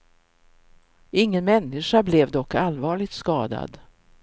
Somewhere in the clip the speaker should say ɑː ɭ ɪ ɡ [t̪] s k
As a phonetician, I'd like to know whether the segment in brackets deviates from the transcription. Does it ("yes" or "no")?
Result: no